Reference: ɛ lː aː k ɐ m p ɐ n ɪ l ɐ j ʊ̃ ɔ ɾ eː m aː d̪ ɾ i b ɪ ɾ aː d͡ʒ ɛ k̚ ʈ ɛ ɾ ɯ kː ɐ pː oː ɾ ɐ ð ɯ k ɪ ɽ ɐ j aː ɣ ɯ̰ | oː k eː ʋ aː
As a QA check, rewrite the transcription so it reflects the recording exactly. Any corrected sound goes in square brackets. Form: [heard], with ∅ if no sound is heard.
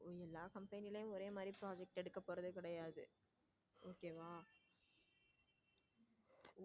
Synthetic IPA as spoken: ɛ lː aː k ɐ m p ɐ n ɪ l ɐ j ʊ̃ ɔ ɾ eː m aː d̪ ɾ i [p] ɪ ɾ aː d͡ʒ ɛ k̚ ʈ ɛ [ɽ] ɯ kː ɐ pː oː ɾ ɐ ð ɯ k ɪ ɽ ɐ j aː [ð] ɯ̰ | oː k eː ʋ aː